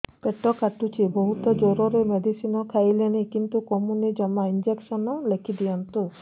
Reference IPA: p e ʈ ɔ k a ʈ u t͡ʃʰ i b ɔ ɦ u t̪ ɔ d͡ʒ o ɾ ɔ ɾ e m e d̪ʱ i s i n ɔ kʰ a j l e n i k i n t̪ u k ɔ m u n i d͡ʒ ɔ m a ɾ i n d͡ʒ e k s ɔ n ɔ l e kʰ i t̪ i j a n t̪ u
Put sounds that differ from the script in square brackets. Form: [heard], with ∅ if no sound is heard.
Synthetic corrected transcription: p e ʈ ɔ k a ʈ u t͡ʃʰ i b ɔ ɦ u t̪ ɔ d͡ʒ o ɾ ɔ ɾ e m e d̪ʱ i s i n ɔ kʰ a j l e n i k i n t̪ u k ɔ m u n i d͡ʒ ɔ m a [∅] i n d͡ʒ e k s ɔ n ɔ l e kʰ i [d̪] i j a n t̪ u